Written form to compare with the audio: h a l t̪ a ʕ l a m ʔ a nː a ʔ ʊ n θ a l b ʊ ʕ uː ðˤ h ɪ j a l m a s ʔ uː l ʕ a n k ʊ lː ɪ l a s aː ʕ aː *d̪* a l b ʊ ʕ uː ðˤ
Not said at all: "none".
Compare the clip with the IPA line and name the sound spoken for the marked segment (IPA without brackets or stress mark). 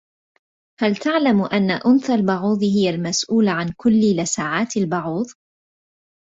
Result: t̪